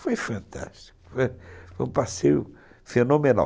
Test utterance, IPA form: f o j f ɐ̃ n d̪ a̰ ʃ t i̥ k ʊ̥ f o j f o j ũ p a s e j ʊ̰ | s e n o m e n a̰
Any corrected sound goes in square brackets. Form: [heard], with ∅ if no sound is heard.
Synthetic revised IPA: f o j f ɐ̃ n [t̪] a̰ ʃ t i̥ k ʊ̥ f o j f o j ũ p a s e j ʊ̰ | [f] e n o m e n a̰